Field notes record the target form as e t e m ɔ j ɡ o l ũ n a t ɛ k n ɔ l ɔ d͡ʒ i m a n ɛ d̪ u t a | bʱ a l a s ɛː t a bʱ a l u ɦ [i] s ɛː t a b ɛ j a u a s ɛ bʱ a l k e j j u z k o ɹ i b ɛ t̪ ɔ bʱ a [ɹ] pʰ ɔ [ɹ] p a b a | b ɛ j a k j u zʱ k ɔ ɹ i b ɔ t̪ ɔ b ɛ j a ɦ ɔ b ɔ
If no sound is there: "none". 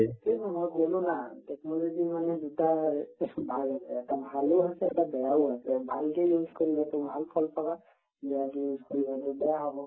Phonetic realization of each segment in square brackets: a, l, l

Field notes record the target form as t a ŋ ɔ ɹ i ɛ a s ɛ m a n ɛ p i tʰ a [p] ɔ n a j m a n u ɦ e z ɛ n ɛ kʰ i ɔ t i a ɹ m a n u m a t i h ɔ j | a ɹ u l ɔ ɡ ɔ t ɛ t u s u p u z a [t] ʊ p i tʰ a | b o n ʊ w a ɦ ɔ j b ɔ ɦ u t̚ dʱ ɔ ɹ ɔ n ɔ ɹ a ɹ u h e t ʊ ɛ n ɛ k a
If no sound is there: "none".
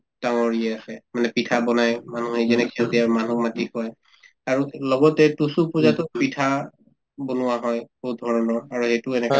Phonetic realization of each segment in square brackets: b, t

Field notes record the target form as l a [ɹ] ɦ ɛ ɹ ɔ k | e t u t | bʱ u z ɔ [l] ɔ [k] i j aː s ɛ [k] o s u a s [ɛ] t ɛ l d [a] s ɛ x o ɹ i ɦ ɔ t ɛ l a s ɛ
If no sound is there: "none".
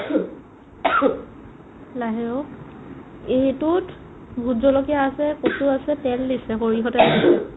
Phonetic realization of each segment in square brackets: none, l, k, k, ɛ, i

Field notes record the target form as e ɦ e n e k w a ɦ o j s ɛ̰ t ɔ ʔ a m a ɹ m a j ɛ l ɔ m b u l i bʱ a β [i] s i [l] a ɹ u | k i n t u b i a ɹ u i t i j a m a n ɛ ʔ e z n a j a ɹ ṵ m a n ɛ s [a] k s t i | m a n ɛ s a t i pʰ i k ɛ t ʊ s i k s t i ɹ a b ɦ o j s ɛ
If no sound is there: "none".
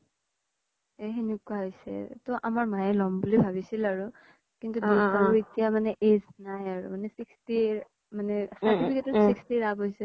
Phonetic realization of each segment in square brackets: i, l, i

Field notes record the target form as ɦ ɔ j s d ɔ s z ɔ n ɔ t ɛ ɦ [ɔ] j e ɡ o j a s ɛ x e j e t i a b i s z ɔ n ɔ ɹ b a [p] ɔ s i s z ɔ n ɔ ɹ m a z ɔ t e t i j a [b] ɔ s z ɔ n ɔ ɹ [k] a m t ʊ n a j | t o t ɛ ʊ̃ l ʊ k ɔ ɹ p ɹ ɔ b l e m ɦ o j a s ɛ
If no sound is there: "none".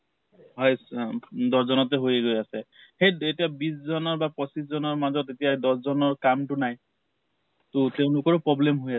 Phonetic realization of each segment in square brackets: o, p, d, k

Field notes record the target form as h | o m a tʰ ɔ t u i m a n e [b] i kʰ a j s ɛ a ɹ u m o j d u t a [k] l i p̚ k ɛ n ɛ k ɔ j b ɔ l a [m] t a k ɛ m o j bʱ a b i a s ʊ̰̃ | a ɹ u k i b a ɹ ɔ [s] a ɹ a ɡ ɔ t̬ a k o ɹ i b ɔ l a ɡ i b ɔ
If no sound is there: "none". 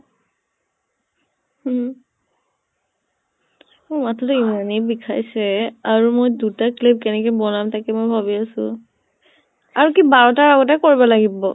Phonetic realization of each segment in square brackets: b, k, m, t

